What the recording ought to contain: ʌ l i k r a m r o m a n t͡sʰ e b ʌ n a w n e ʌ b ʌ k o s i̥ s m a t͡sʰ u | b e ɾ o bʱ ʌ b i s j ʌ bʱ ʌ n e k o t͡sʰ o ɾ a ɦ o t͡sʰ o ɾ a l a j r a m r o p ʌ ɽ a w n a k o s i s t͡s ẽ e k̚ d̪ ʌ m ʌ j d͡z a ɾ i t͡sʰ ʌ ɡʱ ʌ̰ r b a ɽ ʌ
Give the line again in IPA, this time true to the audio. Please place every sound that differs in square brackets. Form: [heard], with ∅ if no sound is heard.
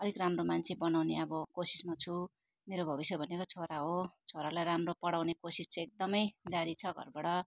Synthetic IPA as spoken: ʌ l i k r a m r o m a n t͡sʰ e b ʌ n a w n e ʌ b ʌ k o s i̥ s m a t͡sʰ u | [m] e ɾ o bʱ ʌ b i s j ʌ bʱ ʌ n e k o t͡sʰ o ɾ a ɦ o t͡sʰ o ɾ a l a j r a m r o p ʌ ɽ a w n [e] k o s i s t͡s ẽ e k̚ d̪ ʌ m ʌ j d͡z a ɾ i t͡sʰ ʌ ɡʱ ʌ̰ r b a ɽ ʌ